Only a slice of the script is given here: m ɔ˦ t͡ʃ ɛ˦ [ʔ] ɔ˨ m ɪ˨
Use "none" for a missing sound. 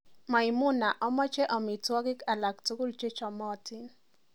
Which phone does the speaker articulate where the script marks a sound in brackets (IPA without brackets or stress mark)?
ʔ